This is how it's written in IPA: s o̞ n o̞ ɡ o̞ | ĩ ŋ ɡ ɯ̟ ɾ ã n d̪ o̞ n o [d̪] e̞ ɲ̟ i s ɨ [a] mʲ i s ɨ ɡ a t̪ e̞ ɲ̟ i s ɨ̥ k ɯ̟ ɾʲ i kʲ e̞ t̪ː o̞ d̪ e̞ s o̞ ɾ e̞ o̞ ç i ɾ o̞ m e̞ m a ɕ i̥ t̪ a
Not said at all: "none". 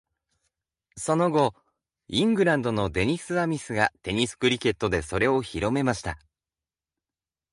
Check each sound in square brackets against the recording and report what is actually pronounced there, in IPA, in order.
d̪, a

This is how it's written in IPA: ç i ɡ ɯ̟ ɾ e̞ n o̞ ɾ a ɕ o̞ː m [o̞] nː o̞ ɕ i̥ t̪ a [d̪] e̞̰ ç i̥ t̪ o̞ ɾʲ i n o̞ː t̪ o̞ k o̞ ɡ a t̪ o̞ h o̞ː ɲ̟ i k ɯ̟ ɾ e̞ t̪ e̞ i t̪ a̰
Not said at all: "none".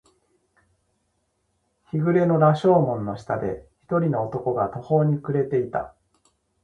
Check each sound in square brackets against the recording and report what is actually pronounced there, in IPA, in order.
õ̞, d̪

